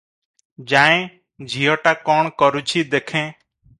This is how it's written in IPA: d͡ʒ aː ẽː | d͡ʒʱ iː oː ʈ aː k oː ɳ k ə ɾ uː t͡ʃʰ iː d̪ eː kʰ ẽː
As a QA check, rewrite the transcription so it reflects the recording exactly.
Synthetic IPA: d͡ʒ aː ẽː | d͡ʒʱ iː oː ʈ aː k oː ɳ k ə ɾ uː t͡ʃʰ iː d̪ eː kʰ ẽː